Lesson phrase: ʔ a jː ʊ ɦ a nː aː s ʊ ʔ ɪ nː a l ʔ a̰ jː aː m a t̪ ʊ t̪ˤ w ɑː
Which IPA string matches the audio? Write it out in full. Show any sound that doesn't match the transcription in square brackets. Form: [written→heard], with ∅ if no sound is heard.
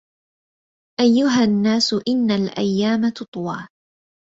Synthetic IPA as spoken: ʔ a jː ʊ ɦ a nː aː s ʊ ʔ ɪ nː a l ʔ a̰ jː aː m a t̪ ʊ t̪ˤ w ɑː